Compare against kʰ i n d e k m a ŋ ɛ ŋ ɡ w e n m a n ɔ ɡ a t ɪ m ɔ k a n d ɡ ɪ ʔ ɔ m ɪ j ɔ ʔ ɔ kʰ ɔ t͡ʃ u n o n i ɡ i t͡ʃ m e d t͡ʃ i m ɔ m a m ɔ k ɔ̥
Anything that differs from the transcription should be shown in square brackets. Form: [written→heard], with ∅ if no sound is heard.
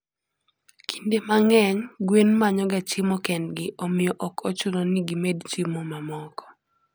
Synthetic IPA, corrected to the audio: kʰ i n d e [k→∅] m a ŋ ɛ [ŋ→ɲ] ɡ w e n m a [n→ɲ] ɔ ɡ a [t→t͡ʃ] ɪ m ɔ k [a→ɛ] n d ɡ ɪ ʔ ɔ m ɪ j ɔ ʔ ɔ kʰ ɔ t͡ʃ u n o n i ɡ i [t͡ʃ→∅] m e d t͡ʃ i m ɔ m a m ɔ k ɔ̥